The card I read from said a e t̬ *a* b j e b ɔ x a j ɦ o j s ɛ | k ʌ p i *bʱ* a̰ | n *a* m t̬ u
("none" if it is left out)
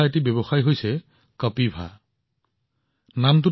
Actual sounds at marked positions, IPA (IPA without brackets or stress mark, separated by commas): i, bʱ, a